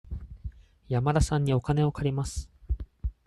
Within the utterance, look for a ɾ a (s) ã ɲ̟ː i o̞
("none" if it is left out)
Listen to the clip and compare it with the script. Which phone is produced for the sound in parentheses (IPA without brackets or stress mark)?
s